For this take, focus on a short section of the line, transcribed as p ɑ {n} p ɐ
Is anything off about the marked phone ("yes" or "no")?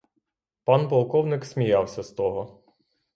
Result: no